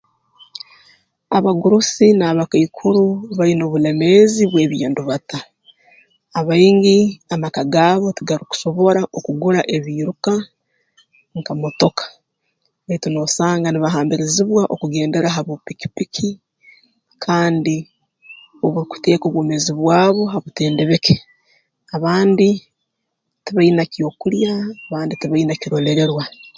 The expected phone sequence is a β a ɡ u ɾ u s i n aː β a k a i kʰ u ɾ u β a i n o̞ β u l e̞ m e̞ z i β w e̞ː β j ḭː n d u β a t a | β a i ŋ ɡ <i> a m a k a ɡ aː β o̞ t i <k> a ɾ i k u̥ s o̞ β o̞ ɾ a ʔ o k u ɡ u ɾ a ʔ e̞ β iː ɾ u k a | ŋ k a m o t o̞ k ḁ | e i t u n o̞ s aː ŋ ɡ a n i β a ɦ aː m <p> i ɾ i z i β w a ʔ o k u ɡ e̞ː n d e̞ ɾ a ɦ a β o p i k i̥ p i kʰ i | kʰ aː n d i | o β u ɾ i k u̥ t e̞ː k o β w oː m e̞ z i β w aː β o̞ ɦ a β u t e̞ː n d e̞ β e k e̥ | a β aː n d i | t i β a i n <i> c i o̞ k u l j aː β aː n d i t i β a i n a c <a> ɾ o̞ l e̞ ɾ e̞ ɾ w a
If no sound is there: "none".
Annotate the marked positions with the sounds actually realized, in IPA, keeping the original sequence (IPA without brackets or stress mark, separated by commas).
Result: i, ɡ, b, a, i